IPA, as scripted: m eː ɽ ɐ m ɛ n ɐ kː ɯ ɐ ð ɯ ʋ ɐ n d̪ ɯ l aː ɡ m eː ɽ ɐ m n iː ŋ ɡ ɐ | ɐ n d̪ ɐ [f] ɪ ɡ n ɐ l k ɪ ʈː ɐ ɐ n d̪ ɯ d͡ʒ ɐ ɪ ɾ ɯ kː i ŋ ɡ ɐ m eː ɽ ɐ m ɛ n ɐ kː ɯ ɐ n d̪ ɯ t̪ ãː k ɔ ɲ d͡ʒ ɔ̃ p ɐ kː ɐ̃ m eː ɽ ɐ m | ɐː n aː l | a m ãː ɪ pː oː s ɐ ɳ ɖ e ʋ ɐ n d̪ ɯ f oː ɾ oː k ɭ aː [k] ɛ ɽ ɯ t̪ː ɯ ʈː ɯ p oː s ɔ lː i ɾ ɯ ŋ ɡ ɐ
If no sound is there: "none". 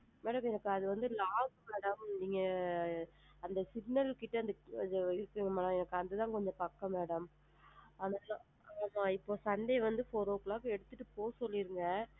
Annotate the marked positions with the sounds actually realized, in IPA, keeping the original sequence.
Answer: s, k

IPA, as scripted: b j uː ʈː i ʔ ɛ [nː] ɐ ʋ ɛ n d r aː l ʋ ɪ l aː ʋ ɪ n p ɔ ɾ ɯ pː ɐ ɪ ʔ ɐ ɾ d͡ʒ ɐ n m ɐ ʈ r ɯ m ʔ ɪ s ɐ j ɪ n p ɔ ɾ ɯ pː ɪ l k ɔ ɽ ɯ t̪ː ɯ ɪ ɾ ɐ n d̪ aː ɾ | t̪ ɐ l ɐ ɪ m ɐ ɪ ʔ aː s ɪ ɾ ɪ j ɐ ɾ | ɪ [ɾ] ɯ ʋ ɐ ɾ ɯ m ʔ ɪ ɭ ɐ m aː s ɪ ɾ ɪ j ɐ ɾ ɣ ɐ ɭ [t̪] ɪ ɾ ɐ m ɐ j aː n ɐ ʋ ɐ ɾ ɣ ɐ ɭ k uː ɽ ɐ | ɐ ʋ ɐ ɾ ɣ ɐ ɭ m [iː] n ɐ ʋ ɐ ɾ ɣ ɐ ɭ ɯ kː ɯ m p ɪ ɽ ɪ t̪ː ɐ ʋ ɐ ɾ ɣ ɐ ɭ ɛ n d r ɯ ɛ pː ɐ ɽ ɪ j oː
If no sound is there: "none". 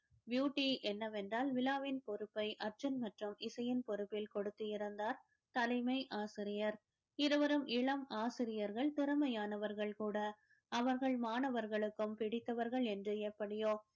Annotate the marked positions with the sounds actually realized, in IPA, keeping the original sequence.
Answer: nː, ɾ, t̪, aː

